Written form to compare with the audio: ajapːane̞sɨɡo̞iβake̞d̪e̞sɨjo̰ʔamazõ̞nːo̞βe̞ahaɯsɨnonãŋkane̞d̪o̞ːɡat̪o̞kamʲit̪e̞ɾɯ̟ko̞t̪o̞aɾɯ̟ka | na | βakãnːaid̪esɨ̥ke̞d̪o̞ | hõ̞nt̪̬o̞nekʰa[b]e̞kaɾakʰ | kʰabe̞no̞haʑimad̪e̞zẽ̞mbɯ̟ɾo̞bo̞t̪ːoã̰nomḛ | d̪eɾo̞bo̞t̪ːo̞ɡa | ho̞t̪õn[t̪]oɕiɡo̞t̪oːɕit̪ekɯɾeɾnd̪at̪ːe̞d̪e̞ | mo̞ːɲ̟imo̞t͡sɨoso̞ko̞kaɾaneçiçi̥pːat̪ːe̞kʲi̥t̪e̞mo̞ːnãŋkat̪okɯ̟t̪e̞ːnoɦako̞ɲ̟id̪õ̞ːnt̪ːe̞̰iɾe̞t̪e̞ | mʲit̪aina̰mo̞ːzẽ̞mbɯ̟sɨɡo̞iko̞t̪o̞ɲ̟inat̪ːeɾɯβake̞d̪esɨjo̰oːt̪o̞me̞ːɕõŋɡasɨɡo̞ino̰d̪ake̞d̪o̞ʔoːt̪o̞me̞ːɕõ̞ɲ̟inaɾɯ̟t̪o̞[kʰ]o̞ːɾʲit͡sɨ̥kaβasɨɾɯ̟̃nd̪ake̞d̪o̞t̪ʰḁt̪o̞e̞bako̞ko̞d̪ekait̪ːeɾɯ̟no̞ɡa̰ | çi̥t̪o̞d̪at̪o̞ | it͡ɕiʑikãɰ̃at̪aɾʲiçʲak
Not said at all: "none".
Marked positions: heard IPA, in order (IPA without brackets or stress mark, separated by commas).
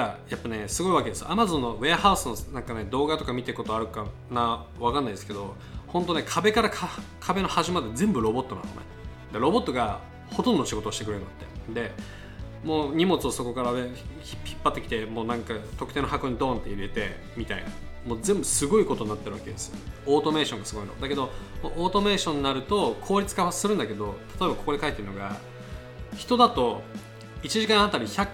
b, d̪, kʰ